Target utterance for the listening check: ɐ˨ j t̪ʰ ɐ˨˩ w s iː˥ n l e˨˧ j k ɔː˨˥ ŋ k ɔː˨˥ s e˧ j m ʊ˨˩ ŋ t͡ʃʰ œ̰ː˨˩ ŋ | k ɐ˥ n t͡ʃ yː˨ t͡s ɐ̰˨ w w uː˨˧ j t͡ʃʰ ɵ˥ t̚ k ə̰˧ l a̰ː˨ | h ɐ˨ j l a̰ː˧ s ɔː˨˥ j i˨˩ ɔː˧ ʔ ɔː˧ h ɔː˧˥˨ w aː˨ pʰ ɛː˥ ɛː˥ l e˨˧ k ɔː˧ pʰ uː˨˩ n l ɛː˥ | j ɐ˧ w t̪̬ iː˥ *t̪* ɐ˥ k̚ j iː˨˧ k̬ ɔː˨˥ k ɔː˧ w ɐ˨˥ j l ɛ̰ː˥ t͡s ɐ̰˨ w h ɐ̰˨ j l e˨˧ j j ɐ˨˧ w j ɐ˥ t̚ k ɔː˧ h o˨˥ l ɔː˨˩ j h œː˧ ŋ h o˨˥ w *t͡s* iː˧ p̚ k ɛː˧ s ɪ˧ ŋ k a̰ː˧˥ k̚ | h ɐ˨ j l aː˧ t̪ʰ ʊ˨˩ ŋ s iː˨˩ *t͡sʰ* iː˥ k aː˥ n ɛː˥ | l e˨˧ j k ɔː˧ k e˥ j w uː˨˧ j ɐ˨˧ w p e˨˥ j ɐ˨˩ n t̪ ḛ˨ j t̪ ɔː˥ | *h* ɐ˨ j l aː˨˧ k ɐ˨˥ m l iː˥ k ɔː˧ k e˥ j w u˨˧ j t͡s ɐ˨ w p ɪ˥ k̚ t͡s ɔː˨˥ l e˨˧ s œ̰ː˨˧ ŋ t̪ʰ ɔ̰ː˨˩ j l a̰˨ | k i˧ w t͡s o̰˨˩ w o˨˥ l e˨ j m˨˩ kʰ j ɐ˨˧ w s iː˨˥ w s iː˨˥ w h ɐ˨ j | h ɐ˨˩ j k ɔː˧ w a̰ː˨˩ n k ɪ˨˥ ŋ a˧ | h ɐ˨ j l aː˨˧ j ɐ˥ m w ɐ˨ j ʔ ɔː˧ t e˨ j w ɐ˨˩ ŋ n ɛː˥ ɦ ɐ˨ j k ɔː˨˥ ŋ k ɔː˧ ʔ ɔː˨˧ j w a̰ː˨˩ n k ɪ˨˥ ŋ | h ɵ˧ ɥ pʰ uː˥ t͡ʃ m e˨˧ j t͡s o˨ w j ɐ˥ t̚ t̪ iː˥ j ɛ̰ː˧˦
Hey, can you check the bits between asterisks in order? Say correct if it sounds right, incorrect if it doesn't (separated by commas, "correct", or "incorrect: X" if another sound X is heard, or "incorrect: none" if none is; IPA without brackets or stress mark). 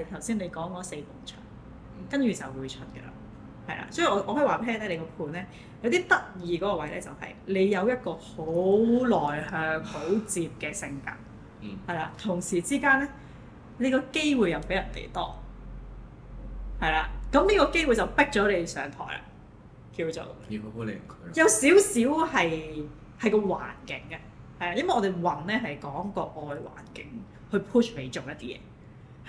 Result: correct, correct, incorrect: t͡s, correct